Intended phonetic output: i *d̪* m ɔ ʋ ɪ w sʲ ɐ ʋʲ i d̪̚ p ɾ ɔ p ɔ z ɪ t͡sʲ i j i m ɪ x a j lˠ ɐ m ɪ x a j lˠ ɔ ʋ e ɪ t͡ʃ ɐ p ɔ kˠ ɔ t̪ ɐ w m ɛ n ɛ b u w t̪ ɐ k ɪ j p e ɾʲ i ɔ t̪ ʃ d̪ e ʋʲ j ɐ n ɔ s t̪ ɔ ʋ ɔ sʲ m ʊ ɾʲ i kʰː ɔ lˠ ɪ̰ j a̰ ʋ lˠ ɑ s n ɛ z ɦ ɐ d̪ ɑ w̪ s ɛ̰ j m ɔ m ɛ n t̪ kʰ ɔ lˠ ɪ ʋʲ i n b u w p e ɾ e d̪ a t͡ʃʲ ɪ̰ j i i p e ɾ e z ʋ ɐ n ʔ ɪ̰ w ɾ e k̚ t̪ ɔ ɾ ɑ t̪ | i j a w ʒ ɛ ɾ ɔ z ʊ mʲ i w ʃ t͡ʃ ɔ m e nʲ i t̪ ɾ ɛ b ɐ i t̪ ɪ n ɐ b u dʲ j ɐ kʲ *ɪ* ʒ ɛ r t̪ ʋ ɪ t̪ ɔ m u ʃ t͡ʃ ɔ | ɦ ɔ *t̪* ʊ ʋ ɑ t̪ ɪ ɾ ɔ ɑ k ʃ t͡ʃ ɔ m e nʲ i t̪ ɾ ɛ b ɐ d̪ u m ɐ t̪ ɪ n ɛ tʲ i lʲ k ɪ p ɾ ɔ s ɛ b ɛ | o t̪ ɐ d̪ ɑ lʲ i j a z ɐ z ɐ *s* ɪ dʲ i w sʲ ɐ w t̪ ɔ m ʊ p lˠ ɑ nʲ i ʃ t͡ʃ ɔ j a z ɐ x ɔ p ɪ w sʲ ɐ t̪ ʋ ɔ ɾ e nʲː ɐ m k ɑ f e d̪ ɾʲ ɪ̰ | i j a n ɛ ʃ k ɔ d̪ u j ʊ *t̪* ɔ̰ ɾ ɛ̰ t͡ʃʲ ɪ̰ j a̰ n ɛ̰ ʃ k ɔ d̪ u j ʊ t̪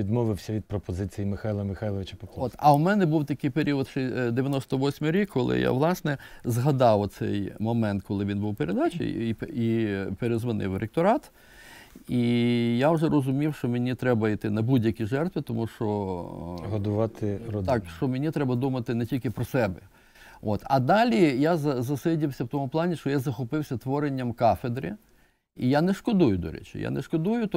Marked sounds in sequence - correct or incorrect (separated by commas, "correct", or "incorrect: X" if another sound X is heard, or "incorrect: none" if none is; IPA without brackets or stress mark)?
correct, incorrect: i, incorrect: d̪, correct, incorrect: d̪